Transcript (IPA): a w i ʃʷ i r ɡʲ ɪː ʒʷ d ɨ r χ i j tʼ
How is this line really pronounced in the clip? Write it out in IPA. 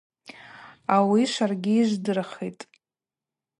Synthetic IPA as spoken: a w i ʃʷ a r ɡʲ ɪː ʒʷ d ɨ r χ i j tʼ